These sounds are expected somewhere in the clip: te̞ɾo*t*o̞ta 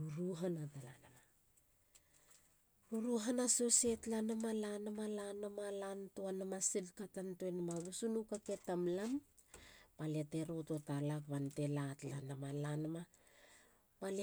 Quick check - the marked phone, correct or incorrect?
correct